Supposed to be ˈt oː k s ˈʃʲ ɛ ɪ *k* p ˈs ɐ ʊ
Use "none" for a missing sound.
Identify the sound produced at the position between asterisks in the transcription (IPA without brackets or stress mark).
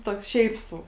none